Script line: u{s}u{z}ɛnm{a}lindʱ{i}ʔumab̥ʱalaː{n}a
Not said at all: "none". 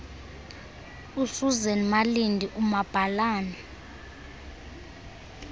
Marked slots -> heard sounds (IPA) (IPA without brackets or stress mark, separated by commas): s, z, a, i, n